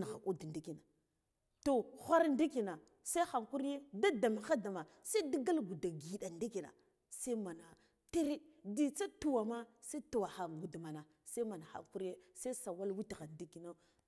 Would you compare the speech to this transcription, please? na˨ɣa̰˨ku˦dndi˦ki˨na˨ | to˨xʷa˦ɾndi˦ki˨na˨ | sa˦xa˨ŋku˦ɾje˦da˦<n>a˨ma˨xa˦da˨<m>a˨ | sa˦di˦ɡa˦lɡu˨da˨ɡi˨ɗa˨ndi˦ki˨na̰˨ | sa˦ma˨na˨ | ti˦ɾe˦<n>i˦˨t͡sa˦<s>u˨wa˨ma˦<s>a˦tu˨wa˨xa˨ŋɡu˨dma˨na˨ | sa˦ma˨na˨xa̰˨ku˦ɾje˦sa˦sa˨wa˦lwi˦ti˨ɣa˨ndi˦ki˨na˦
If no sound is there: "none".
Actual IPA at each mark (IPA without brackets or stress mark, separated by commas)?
d, m, d, t, s